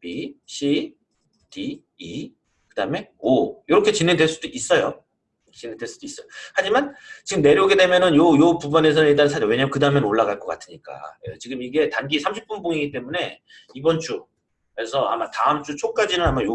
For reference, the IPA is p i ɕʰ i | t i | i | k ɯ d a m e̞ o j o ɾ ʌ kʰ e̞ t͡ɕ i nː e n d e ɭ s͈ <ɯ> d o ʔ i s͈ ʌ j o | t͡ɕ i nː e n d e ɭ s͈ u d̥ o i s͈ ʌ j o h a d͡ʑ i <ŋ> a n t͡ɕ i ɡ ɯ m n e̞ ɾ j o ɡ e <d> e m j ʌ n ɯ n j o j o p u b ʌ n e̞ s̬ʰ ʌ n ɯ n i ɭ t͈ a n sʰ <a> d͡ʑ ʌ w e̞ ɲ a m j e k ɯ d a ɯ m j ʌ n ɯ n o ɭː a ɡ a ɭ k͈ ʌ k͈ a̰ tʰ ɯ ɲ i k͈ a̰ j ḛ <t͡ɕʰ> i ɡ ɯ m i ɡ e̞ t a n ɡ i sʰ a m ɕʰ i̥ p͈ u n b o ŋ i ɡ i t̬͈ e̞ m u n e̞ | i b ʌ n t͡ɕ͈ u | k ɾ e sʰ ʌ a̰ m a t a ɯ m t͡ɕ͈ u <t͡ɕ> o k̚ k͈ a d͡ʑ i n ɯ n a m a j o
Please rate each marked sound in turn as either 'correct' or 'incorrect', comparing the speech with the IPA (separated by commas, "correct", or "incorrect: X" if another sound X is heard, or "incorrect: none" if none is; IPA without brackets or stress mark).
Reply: incorrect: u, incorrect: m, correct, correct, incorrect: t͡ɕ, incorrect: t͡ɕʰ